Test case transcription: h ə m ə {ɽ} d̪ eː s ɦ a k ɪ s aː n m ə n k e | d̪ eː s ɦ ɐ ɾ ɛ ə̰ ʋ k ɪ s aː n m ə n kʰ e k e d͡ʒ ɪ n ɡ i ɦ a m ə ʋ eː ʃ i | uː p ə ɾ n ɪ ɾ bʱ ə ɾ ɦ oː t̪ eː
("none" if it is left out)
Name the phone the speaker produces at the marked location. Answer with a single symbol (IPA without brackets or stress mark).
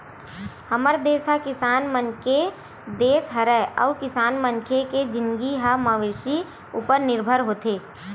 ɾ